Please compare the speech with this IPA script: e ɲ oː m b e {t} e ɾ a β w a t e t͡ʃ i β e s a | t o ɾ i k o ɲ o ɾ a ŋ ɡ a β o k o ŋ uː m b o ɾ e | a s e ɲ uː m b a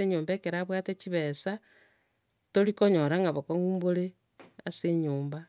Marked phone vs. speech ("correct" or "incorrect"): incorrect